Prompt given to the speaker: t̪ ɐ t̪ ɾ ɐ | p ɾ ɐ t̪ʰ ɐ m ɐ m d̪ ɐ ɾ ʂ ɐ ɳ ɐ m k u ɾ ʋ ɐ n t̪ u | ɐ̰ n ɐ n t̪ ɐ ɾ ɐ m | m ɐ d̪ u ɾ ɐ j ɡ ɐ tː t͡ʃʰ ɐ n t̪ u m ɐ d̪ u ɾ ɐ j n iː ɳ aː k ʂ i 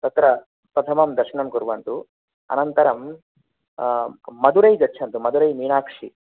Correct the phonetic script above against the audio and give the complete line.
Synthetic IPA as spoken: t̪ ɐ t̪ ɾ ɐ | p ɾ ɐ t̪ʰ ɐ m ɐ m d̪ ɐ ɾ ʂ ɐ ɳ ɐ m k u ɾ ʋ ɐ n t̪ u | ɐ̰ n ɐ n t̪ ɐ ɾ ɐ m | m ɐ d̪ u ɾ ɐ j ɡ ɐ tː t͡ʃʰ ɐ n t̪ u m ɐ d̪ u ɾ ɐ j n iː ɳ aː k ʂ i